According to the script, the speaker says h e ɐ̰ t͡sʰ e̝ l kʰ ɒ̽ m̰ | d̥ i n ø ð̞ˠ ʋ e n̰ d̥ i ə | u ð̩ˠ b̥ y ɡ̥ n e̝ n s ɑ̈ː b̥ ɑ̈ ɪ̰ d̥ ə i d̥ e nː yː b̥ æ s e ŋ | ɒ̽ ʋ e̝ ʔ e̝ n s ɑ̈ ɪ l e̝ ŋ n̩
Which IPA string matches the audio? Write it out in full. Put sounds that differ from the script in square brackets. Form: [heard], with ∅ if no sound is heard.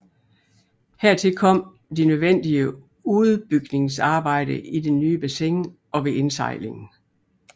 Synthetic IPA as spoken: h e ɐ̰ t͡sʰ e̝ l kʰ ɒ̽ m̰ | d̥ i n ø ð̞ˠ ʋ e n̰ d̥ i ə | u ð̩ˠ b̥ y ɡ̥ n e̝ [ŋ] s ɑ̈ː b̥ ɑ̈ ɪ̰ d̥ ə i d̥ e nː yː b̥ æ s e ŋ | ɒ̽ ʋ e̝ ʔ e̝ n s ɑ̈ ɪ l e̝ ŋ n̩